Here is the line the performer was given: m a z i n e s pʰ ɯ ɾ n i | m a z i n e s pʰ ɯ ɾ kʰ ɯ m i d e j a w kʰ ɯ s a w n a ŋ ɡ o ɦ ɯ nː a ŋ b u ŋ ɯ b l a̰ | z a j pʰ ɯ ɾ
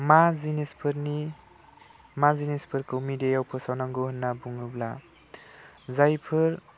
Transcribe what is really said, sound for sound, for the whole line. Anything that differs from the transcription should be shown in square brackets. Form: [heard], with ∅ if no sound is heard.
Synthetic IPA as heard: m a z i n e s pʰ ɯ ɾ n i | m a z i n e s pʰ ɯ ɾ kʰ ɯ m i d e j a w [pʰ] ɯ s a w n a ŋ ɡ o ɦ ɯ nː a [∅] b u ŋ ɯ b l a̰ | z a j pʰ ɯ ɾ